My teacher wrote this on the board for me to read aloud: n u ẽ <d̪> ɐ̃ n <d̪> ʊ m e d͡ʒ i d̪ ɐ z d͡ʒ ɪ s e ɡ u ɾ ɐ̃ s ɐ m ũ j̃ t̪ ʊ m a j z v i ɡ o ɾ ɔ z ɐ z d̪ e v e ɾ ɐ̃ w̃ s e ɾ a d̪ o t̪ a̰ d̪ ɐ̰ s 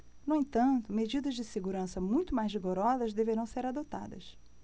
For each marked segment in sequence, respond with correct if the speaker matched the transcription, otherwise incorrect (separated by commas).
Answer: incorrect, incorrect